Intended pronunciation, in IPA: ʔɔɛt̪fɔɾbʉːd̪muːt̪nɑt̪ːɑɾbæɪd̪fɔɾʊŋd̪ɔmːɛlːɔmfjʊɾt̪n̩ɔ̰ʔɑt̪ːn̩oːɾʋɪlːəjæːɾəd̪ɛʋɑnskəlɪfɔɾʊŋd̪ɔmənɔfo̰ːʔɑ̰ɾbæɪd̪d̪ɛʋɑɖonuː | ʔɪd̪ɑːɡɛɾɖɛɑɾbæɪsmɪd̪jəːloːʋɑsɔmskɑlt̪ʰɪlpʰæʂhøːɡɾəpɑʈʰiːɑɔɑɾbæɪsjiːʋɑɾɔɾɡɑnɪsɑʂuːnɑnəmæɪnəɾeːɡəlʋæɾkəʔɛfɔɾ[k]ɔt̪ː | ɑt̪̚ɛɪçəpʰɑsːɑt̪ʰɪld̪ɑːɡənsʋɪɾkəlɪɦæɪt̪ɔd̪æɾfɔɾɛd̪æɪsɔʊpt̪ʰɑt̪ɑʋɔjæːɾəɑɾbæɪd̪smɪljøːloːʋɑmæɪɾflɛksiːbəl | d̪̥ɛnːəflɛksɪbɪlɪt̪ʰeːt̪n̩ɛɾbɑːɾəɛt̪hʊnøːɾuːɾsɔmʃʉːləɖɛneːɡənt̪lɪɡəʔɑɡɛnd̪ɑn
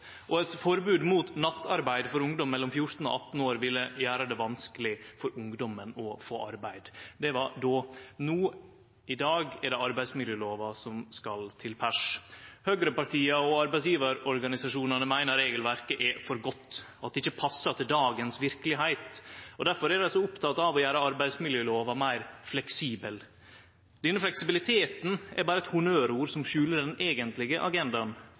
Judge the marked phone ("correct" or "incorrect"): incorrect